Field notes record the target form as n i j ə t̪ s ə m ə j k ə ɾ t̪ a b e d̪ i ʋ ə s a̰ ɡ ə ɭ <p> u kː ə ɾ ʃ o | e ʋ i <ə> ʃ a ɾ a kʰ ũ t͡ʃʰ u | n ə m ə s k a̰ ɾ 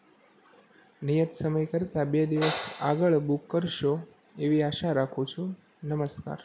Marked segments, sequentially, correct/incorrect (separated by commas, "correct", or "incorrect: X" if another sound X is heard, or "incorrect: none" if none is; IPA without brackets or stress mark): incorrect: b, incorrect: a